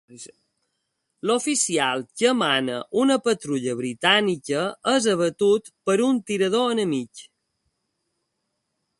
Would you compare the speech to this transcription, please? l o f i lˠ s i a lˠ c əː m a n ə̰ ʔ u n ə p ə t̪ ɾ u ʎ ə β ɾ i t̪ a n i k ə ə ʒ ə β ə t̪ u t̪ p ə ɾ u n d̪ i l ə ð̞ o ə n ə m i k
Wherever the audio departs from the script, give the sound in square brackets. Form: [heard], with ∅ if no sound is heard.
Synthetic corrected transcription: l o f i [∅] s i a lˠ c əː m a n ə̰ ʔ u n ə p ə t̪ ɾ u ʎ ə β ɾ i t̪ a n i k ə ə [z] ə β ə t̪ u t̪ p ə ɾ u n [t̪] i [ɾ] ə ð̞ o ə n ə m i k